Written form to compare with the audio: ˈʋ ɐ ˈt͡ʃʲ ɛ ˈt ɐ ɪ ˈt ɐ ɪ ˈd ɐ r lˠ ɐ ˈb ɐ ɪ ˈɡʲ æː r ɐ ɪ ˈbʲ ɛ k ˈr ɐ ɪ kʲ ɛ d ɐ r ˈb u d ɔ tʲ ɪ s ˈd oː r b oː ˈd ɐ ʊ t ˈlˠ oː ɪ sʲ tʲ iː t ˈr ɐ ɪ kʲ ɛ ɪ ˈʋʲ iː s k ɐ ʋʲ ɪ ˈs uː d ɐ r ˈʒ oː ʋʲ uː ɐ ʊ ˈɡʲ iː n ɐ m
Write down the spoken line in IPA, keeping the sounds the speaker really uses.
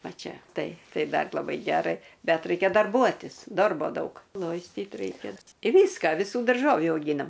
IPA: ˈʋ ɐ ˈt͡ʃʲ ɛ ˈt ɐ ɪ ˈt ɐ ɪ ˈd ɐ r lˠ ɐ ˈb ɐ ɪ ˈɡʲ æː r ɐ ɪ ˈbʲ ɛ t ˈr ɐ ɪ kʲ ɛ d ɐ r ˈb u ɔ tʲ ɪ s ˈd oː r b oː ˈd ɐ ʊ k ˈlˠ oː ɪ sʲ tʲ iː t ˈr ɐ ɪ kʲ ɛ ɪ ˈʋʲ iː s k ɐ ʋʲ ɪ ˈs uː d ɐ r ˈʒ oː ʋʲ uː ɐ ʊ ˈɡʲ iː n ɐ m